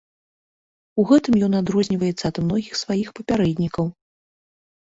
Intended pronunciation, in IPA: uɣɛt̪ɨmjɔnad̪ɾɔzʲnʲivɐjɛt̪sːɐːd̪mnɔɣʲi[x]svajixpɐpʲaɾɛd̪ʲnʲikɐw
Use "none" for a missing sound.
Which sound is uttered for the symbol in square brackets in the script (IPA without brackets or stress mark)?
x